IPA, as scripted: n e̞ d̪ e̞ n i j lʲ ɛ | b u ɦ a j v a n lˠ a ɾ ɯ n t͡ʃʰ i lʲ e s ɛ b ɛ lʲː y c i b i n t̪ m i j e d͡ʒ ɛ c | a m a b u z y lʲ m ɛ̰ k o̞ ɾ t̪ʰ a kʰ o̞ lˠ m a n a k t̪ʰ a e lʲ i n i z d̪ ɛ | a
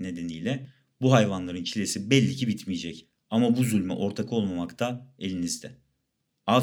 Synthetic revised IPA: n e̞ d̪ e̞ n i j lʲ ɛ | b u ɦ a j v a n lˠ a ɾ ɯ n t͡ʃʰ i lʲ e s i b ɛ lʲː i c i b i t̪ m i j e d͡ʒ ɛ c | a m a b u z y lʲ m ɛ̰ ʔ o̞ ɾ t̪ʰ a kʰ o̞ lˠ m a m a k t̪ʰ a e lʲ i n i z d̪ ɛ | a